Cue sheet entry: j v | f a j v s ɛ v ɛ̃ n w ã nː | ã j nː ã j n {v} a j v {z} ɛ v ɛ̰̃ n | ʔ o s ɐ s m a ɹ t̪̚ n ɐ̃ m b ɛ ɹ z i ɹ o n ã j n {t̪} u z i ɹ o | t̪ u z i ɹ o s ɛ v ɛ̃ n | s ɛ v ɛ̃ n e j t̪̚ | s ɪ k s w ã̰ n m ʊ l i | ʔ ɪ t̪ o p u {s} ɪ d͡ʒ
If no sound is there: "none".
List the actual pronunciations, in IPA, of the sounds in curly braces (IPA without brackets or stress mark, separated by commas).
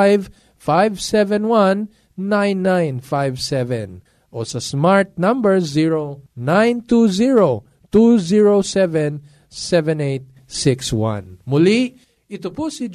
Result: f, s, t̪, s